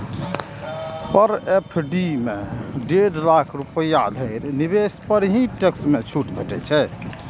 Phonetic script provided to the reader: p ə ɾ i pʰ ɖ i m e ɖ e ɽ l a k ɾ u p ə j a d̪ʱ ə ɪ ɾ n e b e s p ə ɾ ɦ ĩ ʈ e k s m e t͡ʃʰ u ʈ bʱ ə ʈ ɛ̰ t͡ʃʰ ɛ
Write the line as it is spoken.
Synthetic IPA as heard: p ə ɾ e pʰ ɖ i m e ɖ e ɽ l a kʰ ɾ u p ə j a d̪ʱ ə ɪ ɾ n i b e s p ə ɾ ɦ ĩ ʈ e k s m e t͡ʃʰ u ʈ bʱ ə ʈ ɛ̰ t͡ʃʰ ɛ